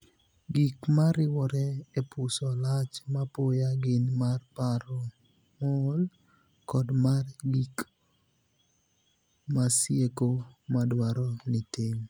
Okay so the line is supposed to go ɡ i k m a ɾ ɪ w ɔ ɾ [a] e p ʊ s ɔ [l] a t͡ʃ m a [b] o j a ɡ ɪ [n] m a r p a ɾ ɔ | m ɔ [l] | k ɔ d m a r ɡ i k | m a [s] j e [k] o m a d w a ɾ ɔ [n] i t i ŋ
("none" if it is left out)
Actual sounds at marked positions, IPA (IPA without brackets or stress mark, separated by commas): ɛ, l, p, n, l, s, k, n